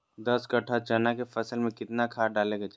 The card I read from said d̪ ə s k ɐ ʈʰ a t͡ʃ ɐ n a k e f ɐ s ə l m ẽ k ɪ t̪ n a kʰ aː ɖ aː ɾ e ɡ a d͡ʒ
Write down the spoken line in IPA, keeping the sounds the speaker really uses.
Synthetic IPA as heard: d̪ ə s k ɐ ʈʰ a t͡ʃ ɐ n a k e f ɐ s ə l m ẽ k ɪ t̪ n a kʰ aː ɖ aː l e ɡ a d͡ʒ